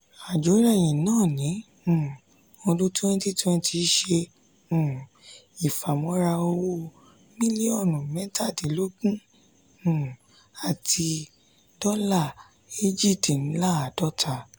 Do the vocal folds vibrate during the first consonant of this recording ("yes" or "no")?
yes